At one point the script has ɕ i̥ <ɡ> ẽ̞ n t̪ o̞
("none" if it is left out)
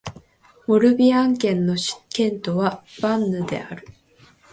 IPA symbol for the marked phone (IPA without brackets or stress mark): k